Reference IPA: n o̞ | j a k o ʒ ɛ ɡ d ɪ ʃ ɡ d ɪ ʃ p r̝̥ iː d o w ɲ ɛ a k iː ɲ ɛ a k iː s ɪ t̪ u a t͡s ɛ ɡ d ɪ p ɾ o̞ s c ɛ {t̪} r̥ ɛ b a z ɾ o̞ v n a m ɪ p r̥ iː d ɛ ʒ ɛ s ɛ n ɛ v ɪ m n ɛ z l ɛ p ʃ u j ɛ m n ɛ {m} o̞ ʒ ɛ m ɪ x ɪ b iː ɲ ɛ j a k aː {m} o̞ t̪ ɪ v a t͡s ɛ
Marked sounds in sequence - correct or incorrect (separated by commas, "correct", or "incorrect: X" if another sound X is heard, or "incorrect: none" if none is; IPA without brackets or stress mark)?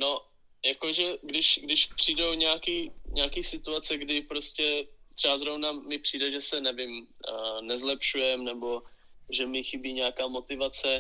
correct, incorrect: b, correct